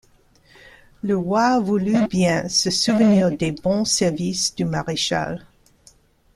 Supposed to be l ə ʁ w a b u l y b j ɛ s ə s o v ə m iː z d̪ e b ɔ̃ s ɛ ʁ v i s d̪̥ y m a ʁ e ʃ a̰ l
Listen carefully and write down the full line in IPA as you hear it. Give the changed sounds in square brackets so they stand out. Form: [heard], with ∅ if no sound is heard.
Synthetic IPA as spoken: l ə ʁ w a [v] u l y b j [ɛ̃] s ə s [u] v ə [n] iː [ʁ] d̪ e b ɔ̃ s ɛ ʁ v i s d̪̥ y m a ʁ e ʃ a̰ l